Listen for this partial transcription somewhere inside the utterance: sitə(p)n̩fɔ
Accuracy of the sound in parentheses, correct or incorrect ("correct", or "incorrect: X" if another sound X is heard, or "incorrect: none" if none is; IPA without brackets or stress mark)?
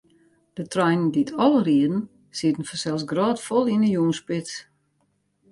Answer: incorrect: none